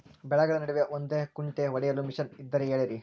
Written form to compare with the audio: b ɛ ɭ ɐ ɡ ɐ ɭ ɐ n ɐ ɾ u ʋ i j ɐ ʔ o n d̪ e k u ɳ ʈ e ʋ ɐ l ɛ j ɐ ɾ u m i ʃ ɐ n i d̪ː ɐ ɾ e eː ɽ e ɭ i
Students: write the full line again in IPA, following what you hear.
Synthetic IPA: b ɛ ɭ ɐ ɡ ɐ ɭ ɐ n ɐ ɽ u ʋ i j ɐ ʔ o n d̪ e k u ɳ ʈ e ʋ ɐ ɽ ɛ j ɐ l u m i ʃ ɐ n i d̪ː ɐ ɾ e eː ɭ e ɾ i